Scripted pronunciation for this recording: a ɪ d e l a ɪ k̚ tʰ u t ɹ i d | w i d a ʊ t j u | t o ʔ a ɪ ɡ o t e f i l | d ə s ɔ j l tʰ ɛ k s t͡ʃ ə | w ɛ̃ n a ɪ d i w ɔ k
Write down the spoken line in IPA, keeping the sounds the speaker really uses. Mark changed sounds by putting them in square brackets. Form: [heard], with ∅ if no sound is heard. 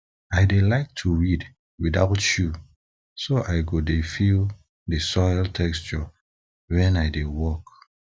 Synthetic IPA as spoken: a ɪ d e l a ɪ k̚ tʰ u [∅] ɹ i d | w i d a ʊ t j u | [s] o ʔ a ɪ ɡ o [d] e f i l | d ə s ɔ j l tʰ ɛ k s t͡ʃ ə | w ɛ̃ n a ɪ d [e] w ɔ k